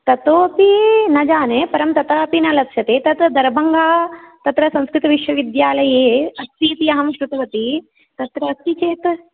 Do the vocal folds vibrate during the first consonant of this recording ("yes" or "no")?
no